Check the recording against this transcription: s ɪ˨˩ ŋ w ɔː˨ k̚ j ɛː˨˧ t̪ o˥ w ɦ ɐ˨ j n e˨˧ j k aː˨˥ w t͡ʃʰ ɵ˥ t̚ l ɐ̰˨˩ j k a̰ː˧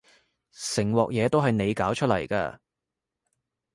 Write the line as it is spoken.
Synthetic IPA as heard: s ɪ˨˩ ŋ w ɔː˨ k̚ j ɛː˨˧ t̪ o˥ w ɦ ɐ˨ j n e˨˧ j k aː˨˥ w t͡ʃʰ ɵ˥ t̚ l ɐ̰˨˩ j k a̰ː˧